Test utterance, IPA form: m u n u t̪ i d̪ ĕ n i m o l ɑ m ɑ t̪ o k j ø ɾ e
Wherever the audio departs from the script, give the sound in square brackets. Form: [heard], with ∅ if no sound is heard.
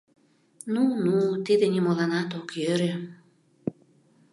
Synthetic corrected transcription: [n] u n u t̪ i d̪ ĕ n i m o l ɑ [n] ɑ t̪ o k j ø ɾ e